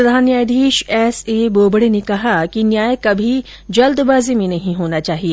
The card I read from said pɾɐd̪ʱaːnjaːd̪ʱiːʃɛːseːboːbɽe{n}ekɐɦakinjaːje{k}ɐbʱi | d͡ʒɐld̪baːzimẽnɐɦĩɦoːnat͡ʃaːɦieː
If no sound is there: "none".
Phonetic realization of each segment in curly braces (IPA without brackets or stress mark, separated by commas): n, k